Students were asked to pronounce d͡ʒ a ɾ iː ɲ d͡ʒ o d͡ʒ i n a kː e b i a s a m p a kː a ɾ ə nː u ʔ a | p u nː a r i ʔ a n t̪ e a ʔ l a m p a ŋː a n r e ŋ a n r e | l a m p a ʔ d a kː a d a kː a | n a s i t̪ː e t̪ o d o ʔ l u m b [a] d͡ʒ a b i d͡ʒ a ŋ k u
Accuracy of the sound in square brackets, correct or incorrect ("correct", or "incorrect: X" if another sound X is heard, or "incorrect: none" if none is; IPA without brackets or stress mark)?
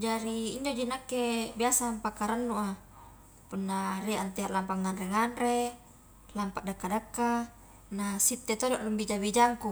incorrect: i